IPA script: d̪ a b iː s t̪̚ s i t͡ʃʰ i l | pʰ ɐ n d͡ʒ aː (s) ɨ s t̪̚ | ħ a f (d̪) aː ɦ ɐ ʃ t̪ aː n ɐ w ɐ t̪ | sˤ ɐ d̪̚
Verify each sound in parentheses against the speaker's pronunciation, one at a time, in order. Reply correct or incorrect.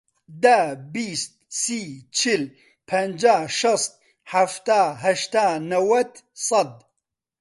incorrect: ʃ, incorrect: t̪

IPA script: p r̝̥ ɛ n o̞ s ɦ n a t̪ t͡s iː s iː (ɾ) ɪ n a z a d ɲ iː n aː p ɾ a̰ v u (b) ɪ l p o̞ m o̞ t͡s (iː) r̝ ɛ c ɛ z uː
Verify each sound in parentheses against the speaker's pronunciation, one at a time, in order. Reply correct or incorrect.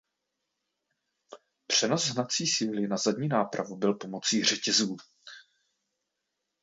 incorrect: l, correct, correct

